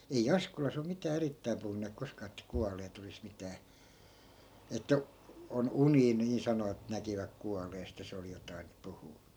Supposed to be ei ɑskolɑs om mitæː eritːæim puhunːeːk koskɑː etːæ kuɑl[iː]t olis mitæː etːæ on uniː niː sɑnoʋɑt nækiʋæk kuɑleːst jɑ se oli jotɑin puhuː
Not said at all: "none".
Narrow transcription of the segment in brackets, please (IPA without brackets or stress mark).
eː